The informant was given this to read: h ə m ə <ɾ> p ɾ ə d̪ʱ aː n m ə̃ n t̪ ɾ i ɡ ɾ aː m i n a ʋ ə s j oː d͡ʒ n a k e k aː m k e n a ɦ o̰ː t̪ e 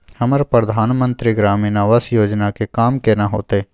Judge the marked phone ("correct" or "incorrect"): correct